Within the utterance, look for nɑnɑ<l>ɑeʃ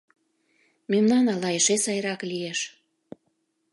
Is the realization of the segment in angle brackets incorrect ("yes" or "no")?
no